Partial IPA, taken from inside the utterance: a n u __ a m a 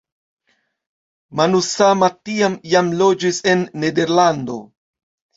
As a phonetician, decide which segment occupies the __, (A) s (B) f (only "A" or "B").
A